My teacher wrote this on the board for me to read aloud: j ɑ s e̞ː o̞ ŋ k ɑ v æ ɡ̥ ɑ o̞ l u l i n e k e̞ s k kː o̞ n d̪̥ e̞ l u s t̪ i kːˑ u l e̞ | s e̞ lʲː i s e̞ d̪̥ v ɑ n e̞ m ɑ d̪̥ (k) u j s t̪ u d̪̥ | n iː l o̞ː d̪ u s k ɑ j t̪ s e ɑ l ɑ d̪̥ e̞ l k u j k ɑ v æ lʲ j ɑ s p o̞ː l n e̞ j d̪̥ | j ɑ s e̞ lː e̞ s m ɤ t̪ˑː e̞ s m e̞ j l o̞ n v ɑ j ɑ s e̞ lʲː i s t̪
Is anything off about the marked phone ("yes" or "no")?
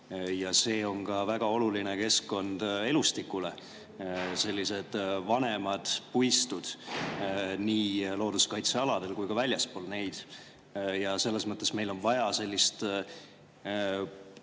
yes